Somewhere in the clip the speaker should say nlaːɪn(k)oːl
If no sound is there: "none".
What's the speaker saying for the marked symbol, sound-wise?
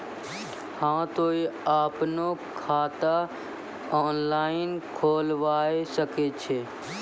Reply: kʰ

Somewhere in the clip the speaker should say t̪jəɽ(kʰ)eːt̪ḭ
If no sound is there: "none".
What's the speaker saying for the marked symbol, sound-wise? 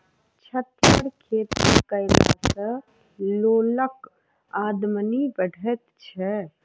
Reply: kʰ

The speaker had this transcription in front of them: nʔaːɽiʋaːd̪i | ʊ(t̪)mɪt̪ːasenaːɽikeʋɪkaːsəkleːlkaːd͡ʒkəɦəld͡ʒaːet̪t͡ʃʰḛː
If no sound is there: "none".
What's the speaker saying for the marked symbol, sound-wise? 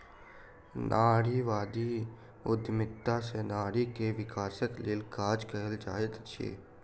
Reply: d̪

